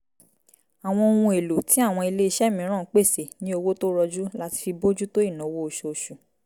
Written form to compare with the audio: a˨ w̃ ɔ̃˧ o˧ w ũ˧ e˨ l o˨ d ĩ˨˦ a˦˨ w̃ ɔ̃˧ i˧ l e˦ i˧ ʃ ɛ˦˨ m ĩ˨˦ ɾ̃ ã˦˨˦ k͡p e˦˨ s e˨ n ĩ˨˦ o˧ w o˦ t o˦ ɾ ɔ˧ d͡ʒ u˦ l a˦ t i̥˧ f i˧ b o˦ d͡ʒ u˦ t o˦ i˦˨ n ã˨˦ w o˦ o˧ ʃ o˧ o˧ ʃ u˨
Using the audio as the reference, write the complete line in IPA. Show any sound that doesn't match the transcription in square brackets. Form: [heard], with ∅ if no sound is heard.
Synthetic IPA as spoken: a˨ w̃ ɔ̃˧ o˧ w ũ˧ e˨ l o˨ [t] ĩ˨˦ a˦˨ w̃ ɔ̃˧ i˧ l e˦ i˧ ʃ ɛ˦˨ m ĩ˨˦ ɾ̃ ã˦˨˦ k͡p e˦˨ s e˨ n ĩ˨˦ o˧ w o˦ t o˦ ɾ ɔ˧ d͡ʒ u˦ l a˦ t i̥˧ f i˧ b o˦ d͡ʒ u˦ t o˦ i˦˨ n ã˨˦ w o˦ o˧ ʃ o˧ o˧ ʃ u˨